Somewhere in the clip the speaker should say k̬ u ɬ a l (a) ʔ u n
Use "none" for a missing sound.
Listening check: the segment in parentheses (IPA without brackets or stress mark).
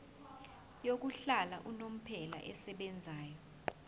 a